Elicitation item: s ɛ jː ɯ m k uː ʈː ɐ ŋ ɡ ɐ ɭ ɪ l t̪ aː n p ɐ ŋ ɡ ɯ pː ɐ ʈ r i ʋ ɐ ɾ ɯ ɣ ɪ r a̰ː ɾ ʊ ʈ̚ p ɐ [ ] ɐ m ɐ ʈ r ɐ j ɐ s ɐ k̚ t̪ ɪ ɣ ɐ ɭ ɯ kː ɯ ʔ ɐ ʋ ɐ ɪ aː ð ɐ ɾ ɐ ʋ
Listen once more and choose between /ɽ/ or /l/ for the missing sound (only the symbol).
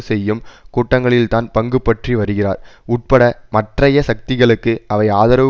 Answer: ɽ